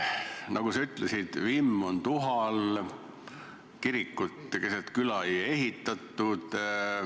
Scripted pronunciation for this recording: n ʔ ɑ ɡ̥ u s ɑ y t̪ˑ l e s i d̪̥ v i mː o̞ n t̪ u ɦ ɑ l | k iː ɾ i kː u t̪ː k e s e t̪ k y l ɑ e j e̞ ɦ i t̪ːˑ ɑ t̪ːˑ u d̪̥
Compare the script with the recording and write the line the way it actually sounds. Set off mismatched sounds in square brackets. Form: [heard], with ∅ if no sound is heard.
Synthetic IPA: n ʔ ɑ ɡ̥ u s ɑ y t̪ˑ l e s i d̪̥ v i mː o̞ n t̪ u ɦ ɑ l | k [i] ɾ i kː u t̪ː k e s e t̪ k y l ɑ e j e̞ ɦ i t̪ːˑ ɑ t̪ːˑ u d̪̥